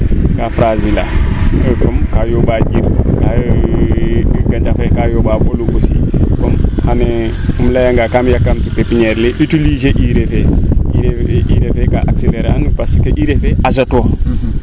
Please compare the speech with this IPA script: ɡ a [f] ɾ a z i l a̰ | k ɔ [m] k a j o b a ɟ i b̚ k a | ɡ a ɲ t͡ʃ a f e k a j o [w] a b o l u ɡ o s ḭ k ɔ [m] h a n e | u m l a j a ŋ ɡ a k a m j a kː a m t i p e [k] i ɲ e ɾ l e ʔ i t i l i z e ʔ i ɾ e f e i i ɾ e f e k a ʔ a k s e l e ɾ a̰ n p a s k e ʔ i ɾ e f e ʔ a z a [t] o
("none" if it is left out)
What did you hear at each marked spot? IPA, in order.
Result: f, m, b, m, p, t

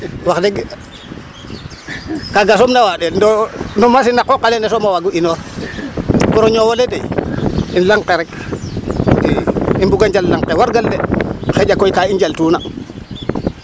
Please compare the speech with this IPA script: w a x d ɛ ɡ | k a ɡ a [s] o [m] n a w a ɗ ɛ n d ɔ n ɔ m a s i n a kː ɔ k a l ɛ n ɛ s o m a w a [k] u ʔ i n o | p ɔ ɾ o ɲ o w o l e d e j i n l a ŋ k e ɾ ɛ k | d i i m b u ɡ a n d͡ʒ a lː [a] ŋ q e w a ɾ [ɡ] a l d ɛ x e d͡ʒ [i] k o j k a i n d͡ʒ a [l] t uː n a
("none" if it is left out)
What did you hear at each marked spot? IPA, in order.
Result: s, m, ɡ, a, ɡ, a, l

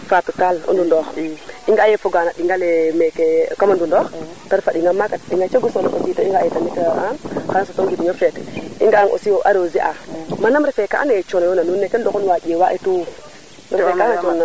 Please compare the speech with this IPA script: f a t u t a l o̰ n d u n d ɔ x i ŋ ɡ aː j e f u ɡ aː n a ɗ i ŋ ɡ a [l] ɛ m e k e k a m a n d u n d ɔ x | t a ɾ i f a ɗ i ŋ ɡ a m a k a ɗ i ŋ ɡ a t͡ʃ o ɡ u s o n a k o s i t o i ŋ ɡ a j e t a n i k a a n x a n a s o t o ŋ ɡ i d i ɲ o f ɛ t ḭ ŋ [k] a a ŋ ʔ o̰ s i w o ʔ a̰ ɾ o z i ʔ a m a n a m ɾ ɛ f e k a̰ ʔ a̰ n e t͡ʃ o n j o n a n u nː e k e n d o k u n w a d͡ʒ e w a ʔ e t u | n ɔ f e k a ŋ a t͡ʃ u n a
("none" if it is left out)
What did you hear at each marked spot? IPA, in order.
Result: l, ɡ

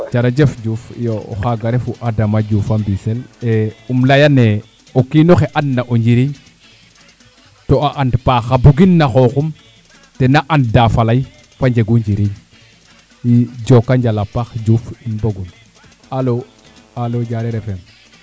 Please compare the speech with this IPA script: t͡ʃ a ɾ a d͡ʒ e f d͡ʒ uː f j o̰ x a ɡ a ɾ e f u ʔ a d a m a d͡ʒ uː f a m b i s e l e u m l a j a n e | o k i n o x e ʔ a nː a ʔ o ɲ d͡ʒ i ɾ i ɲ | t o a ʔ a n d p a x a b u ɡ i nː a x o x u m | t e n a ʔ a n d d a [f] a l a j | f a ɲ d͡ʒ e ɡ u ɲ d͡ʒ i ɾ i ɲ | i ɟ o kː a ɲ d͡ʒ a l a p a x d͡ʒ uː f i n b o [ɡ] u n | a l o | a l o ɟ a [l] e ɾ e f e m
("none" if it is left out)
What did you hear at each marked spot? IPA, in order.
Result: f, ɡ, ɾ

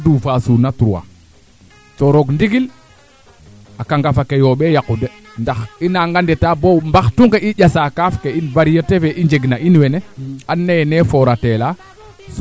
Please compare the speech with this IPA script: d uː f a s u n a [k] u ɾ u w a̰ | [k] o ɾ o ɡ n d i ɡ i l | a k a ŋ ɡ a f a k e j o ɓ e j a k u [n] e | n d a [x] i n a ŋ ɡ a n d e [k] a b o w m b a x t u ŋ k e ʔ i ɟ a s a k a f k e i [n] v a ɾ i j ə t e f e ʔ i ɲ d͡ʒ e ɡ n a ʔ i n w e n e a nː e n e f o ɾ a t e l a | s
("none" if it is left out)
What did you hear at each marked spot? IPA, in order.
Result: t, t, d, x, t, n

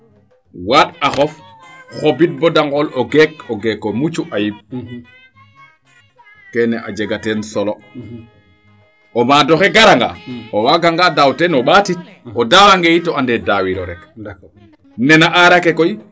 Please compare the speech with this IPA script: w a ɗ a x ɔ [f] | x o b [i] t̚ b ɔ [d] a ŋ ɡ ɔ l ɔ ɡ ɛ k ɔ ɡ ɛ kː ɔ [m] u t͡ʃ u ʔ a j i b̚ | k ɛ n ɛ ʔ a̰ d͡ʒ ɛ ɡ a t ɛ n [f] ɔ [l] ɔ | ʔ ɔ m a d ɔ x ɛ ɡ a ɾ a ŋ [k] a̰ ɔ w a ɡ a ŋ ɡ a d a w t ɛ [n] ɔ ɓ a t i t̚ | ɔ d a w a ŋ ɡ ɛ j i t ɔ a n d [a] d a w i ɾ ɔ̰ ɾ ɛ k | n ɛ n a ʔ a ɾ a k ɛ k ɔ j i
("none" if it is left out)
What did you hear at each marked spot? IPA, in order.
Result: f, i, d, m, s, l, ɡ, n, ɛ

